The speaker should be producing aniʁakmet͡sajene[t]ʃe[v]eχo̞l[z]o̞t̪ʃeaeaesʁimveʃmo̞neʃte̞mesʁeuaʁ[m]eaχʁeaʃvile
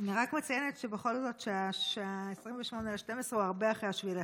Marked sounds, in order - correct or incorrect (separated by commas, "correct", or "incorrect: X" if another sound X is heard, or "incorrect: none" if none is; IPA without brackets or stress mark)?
correct, incorrect: b, correct, incorrect: b